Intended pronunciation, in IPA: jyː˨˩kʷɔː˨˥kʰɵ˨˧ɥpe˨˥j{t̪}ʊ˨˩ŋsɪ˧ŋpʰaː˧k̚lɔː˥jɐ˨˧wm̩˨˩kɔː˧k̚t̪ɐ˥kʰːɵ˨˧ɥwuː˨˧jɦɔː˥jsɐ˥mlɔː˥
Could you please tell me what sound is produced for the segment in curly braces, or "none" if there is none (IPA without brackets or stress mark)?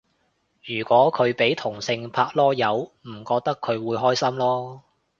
t̪ʰ